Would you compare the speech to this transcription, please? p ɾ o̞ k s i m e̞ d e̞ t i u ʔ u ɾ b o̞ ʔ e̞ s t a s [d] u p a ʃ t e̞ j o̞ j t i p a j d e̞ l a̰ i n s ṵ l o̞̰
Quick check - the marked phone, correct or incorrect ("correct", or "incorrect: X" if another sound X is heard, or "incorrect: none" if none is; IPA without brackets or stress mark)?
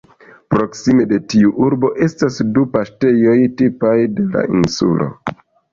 correct